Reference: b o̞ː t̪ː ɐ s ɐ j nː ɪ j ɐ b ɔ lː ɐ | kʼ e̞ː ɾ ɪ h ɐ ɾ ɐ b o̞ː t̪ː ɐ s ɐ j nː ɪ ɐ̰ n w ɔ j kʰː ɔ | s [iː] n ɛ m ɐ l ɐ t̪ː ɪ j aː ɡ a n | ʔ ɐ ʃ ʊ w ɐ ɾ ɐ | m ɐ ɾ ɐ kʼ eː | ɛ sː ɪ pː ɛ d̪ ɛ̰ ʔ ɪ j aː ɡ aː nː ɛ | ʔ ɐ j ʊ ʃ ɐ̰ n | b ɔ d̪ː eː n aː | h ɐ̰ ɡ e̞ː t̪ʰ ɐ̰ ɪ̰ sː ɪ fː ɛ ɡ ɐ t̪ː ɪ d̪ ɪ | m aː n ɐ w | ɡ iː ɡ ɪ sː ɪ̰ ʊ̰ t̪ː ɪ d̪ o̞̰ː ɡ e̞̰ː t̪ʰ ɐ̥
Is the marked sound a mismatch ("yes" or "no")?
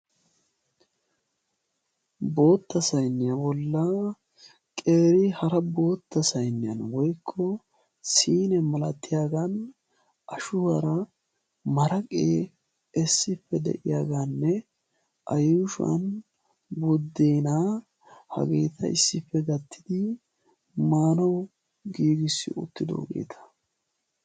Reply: no